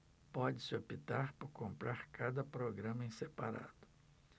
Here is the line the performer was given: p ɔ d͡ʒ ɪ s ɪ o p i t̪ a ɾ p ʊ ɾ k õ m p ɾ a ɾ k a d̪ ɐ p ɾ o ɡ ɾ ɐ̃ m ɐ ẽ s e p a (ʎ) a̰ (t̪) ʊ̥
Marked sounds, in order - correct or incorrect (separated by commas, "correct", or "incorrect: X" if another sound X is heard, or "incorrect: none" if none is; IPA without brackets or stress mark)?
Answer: incorrect: ɾ, incorrect: d̪